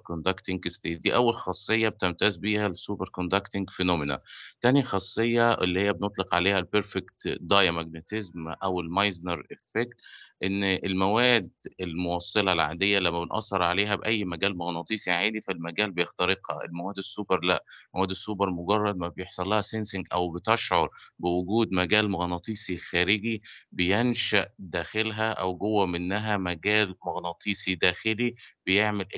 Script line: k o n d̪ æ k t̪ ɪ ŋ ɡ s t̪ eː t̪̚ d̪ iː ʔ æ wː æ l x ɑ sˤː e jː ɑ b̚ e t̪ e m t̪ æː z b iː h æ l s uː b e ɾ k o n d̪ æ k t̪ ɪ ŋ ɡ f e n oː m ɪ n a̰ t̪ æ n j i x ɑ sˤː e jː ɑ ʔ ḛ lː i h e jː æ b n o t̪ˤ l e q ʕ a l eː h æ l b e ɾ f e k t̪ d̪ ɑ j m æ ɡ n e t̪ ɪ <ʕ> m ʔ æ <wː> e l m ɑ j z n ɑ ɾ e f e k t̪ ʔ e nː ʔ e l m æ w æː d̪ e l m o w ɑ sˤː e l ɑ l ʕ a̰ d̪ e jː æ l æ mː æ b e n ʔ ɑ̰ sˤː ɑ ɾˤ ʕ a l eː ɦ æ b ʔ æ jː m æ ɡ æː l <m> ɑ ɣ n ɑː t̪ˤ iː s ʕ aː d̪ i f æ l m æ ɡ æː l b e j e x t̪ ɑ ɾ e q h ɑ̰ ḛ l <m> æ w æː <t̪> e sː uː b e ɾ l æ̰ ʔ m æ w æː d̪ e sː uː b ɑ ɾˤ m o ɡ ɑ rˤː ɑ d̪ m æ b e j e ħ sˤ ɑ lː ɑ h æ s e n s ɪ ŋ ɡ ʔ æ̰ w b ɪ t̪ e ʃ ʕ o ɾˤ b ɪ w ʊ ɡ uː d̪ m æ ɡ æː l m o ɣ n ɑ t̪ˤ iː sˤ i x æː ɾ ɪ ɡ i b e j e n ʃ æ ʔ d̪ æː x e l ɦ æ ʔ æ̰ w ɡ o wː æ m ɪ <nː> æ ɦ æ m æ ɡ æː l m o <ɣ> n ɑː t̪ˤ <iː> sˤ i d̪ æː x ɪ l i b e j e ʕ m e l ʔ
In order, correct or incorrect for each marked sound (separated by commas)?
incorrect, incorrect, correct, correct, incorrect, correct, correct, correct